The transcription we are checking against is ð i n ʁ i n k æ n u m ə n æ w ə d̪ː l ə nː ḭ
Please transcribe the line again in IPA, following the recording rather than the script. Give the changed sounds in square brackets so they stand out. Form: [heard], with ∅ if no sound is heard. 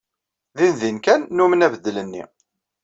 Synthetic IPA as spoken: ð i n [ð] i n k æ [nː] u m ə n æ [v] ə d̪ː l ə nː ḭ

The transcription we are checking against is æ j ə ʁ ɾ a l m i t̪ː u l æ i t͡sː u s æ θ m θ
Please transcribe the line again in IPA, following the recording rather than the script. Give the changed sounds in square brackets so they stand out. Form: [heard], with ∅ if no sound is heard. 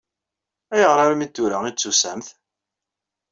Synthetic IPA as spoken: æ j ə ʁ ɾ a [ɾ] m i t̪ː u [ɾ] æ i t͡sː u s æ [∅] m θ

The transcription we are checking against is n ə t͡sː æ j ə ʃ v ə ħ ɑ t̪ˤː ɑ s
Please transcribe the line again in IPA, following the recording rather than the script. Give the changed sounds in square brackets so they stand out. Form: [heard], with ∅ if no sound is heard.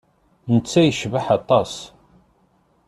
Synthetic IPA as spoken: n ə t͡sː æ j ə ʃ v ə ħ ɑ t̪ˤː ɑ s

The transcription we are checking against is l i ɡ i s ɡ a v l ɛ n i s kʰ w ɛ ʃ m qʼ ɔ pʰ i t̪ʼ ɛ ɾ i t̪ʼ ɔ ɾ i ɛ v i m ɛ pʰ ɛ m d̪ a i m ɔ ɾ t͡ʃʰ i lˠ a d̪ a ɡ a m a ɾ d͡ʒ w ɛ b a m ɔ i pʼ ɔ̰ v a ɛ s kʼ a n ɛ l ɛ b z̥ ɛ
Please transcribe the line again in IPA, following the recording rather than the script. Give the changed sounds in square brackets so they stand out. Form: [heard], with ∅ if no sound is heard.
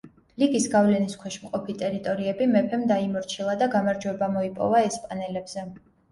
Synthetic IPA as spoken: l i ɡ i s ɡ a v l ɛ n i s kʰ w ɛ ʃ m qʼ ɔ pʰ i t̪ʼ ɛ ɾ i t̪ʼ ɔ ɾ i ɛ [b] i m ɛ pʰ ɛ m d̪ a i m ɔ ɾ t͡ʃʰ i lˠ a d̪ a ɡ a m a ɾ d͡ʒ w ɛ b a m ɔ i pʼ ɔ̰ v a ɛ s [pʼ] a n ɛ l ɛ b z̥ ɛ

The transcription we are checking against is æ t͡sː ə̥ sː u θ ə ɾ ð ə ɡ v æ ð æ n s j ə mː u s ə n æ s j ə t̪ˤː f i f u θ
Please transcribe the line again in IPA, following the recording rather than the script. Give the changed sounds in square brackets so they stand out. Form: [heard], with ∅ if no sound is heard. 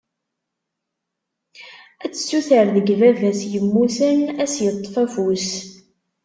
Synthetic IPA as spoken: æ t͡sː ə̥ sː u θ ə ɾ ð ə ɡ v æ [v] æ [∅] s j ə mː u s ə n æ s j ə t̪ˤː f [æ] f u [s]

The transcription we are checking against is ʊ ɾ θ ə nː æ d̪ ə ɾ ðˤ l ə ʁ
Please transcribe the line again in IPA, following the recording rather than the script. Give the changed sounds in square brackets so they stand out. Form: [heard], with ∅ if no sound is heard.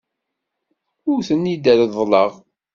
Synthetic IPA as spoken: ʊ ɾ θ ə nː [i] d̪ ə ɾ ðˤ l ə ʁ

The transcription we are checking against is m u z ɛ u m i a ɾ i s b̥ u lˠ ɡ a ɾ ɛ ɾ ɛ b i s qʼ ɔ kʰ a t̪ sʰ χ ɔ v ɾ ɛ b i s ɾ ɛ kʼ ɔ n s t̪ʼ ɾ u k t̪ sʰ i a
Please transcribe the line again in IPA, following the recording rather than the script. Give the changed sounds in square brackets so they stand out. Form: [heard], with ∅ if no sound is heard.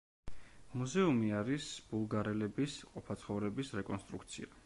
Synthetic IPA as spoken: m u z ɛ u m i a ɾ i s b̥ u lˠ ɡ a ɾ ɛ [l] ɛ b i s qʼ ɔ [pʰ] a t̪ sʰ χ ɔ v ɾ ɛ b i s ɾ ɛ kʼ ɔ n s t̪ʼ ɾ u k t̪ sʰ i a

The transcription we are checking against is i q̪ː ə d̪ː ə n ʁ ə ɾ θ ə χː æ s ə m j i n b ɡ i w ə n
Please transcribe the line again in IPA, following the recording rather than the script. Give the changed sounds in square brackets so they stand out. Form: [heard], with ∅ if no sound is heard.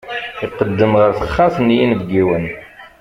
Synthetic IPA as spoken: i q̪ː ə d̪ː ə [m] ʁ ə ɾ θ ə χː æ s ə [n] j i n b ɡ i w ə n

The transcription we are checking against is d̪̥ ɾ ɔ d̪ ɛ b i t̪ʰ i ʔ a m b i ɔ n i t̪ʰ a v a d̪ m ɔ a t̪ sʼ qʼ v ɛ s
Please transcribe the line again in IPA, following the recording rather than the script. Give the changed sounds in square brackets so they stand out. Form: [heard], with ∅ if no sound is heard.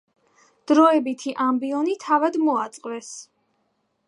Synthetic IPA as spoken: d̪̥ ɾ ɔ [∅] ɛ b i t̪ʰ i ʔ a m b i ɔ n i t̪ʰ a v a d̪ m ɔ a t̪ sʼ qʼ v ɛ s

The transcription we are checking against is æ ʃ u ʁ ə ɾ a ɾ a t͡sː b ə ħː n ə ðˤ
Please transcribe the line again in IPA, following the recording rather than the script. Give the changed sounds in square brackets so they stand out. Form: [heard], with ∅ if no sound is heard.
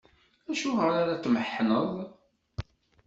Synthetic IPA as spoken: æ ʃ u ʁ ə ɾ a ɾ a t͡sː [m] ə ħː n ə ðˤ

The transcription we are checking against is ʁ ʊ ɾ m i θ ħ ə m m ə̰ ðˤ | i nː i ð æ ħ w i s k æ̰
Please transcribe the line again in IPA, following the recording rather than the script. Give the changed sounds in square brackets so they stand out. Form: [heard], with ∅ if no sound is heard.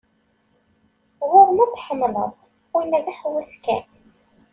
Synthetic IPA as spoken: ʁ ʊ ɾ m [æ] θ ħ ə m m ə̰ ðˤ | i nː [æ] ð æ ħ w [æ] s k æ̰

